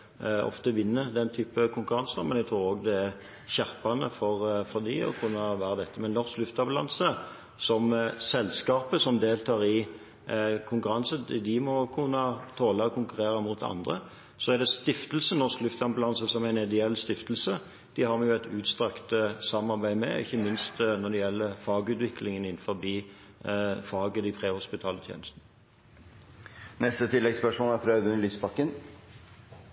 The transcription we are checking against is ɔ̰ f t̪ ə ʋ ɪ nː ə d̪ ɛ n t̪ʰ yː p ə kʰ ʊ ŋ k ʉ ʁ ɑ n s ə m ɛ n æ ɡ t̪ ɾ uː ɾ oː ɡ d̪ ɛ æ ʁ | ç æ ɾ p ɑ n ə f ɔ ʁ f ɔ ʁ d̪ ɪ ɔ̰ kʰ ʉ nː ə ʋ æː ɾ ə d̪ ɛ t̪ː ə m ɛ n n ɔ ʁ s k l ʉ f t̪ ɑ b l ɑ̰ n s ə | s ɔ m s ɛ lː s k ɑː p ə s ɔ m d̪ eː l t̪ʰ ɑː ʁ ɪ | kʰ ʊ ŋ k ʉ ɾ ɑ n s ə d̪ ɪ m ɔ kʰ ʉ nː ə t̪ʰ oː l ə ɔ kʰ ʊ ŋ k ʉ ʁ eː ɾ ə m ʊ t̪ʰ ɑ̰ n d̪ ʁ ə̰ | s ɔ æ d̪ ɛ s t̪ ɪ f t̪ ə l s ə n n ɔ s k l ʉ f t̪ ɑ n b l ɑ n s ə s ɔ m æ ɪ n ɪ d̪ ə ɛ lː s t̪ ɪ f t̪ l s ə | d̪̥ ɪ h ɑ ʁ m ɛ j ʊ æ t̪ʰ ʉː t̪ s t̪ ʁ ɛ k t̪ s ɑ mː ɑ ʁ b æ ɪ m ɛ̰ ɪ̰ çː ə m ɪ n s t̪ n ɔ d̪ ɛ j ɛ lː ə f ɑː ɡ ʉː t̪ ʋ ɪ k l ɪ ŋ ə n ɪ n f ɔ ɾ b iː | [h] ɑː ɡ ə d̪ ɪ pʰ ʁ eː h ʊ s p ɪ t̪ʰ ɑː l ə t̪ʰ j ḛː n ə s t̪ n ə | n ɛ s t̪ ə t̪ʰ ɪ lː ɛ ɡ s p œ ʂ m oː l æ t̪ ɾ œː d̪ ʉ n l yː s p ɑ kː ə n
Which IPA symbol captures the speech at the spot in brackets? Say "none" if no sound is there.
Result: f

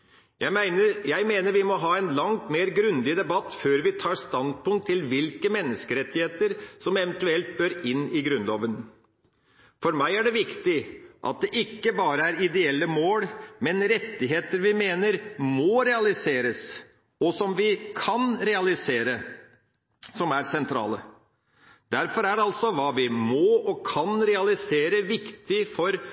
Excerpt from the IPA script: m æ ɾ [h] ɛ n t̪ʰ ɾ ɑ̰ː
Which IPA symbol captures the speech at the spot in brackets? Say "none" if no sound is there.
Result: s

